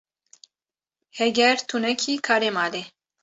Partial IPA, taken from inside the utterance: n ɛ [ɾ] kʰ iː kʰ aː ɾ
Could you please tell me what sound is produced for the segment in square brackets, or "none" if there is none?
none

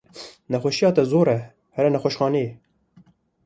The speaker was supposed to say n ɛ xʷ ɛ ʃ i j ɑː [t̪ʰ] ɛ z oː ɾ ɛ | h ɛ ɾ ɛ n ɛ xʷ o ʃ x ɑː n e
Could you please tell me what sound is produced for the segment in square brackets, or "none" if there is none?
t̪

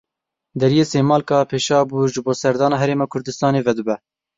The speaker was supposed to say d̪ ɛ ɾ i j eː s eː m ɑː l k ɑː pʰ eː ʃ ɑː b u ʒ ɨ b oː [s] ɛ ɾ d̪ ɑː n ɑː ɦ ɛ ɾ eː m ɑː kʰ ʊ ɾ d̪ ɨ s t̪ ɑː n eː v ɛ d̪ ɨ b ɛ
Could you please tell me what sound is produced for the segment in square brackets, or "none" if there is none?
s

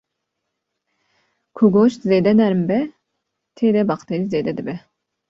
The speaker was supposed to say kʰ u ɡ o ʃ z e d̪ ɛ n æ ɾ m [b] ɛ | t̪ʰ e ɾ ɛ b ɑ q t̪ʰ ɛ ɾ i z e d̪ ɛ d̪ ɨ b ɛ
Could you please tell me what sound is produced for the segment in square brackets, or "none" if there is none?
b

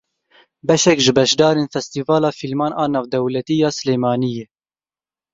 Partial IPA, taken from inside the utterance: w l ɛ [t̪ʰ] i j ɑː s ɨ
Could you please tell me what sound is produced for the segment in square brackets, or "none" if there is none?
t̪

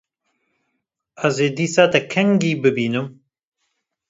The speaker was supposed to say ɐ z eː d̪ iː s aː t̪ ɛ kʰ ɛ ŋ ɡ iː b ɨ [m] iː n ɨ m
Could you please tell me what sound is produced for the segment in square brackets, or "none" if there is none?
b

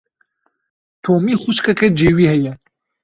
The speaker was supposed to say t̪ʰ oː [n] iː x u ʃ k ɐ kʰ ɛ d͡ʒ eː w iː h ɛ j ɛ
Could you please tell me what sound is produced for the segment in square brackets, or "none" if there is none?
m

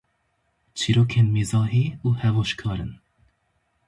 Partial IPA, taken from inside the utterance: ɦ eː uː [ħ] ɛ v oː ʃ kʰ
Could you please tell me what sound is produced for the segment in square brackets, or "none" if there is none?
h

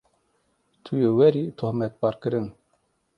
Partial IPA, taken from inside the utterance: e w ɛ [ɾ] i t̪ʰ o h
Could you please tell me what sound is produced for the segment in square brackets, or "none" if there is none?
ɾ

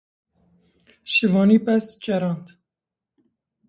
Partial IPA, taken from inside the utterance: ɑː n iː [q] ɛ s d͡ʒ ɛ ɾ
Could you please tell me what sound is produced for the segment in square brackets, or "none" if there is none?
p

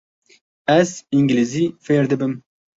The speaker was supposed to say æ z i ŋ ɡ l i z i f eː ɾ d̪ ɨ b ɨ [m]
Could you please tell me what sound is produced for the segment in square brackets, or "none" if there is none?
m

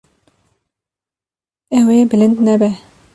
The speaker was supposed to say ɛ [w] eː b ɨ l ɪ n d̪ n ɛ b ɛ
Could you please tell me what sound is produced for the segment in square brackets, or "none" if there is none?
w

